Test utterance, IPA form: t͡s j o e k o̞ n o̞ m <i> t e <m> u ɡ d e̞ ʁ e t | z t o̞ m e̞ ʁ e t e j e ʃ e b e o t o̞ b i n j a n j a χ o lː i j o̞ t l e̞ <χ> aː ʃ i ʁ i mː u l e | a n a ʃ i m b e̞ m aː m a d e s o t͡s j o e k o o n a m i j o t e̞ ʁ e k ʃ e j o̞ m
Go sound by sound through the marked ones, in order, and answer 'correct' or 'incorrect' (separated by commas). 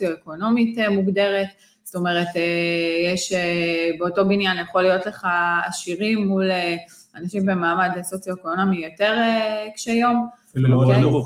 correct, correct, correct